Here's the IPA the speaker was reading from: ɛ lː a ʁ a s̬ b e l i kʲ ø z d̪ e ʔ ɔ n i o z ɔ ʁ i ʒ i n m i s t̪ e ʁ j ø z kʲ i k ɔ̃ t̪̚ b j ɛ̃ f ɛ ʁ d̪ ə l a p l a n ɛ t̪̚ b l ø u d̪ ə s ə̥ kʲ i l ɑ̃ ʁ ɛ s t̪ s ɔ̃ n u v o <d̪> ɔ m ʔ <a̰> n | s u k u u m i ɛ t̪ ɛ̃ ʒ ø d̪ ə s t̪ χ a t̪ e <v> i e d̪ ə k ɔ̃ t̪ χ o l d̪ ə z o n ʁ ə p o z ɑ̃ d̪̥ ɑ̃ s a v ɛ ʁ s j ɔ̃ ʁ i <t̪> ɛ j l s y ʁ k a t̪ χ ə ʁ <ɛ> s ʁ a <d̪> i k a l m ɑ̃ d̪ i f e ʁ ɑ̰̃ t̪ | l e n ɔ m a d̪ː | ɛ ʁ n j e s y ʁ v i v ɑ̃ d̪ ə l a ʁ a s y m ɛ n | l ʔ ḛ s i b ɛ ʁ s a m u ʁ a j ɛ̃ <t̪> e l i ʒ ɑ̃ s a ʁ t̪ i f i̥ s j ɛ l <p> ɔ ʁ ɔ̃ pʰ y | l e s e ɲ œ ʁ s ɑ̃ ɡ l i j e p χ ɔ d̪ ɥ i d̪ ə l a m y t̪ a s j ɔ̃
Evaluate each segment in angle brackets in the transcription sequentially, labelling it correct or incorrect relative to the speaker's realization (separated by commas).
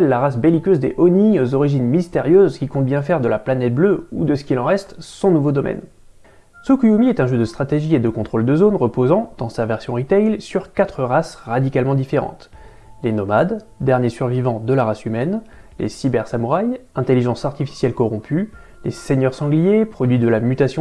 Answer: correct, incorrect, incorrect, correct, incorrect, correct, correct, incorrect